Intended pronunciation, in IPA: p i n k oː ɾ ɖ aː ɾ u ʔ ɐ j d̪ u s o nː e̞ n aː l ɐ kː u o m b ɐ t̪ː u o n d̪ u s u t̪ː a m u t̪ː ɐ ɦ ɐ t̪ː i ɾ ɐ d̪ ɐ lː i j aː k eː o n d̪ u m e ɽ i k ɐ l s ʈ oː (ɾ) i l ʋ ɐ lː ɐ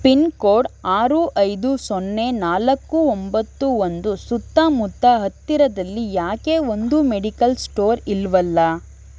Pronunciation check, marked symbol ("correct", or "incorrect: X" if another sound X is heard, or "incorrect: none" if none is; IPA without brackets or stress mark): correct